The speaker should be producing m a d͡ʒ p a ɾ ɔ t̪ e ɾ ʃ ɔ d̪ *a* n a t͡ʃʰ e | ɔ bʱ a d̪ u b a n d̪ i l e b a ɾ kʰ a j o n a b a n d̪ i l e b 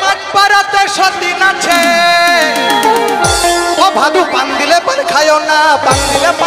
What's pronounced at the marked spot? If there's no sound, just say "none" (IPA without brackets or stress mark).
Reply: i